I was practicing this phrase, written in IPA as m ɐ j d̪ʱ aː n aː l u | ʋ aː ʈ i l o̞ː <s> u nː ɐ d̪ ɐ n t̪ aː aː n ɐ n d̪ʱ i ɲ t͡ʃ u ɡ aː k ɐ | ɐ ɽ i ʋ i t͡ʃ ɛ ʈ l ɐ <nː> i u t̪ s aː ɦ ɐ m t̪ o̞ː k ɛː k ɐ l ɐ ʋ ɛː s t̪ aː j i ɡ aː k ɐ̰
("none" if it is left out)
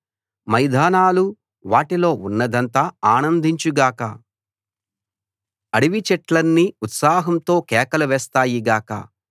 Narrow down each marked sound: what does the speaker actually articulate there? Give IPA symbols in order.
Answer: none, nː

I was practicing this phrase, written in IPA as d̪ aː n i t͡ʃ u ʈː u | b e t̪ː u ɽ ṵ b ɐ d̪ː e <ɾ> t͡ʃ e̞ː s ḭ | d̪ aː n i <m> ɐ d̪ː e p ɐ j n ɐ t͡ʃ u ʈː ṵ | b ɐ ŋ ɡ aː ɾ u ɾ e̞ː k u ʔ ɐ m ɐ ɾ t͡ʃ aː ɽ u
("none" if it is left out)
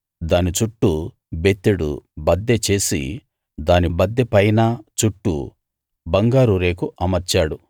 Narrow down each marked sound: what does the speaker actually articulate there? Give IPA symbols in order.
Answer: none, b

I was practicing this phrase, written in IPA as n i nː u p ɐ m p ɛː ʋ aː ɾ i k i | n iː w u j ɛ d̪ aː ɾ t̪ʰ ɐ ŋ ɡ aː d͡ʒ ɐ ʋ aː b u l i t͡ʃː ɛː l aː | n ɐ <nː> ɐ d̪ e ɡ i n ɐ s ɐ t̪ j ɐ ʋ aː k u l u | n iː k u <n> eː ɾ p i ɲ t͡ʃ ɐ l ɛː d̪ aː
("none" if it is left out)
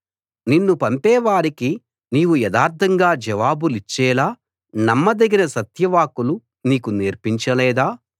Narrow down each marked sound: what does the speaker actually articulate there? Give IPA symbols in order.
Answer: mː, n

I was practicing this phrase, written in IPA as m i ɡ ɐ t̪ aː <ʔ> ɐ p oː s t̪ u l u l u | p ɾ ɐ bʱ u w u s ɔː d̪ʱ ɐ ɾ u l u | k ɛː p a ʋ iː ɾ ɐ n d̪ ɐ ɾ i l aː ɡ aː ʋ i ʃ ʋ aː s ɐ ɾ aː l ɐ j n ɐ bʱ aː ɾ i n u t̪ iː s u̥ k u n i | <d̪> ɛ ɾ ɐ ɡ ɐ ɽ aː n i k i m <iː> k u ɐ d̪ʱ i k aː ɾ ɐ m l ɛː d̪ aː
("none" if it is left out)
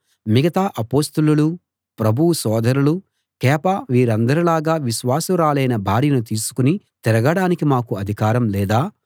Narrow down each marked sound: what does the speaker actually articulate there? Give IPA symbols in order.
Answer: ʔ, t̪, aː

